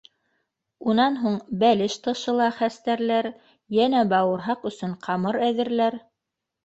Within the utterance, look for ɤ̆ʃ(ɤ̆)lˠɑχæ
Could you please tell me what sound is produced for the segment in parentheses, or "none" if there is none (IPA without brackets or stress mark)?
ɤ̆